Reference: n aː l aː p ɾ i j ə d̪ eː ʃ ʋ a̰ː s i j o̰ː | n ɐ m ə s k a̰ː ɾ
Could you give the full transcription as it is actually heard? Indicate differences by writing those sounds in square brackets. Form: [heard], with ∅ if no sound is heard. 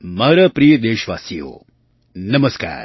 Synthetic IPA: [m] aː [ɾ] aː p ɾ i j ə d̪ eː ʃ ʋ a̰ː s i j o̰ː | n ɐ m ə s k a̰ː ɾ